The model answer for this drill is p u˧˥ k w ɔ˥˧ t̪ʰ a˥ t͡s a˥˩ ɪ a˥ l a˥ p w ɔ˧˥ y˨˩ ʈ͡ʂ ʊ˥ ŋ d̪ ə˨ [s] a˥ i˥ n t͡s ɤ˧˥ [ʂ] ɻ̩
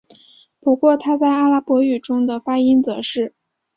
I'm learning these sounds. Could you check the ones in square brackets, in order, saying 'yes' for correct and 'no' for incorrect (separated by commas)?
no, yes